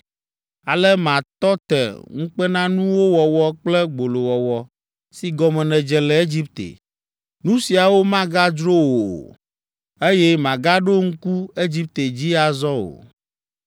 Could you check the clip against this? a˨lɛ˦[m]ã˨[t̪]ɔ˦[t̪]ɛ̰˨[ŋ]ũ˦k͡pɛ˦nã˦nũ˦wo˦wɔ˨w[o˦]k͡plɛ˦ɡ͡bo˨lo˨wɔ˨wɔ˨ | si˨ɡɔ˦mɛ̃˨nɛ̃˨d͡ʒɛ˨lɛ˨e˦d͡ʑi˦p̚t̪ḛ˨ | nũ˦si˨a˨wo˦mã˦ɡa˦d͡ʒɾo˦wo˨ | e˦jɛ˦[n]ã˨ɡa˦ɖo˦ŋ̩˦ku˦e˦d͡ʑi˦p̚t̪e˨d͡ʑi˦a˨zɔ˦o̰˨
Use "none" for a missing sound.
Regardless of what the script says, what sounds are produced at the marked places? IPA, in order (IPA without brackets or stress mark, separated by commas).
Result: m, t̪, t̪, ŋ, ɔ˦, m